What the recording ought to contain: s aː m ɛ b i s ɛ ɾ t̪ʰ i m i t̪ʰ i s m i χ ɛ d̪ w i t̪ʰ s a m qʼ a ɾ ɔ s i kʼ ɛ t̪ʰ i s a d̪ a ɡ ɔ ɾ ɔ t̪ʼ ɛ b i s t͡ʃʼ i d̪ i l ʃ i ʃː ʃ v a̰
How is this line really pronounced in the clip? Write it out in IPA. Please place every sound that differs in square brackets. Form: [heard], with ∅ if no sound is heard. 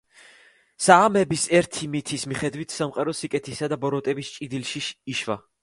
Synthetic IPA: s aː m ɛ b i s ɛ ɾ t̪ʰ i m i t̪ʰ i s m i χ ɛ d̪ w i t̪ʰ s a m qʼ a ɾ ɔ s i kʼ ɛ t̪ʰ i s a d̪ a [b] ɔ ɾ ɔ t̪ʼ ɛ b i s t͡ʃʼ i d̪ i l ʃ i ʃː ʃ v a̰